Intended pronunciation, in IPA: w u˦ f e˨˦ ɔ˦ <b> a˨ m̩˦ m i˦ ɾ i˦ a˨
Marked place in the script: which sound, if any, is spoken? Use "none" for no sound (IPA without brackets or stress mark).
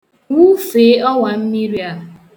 w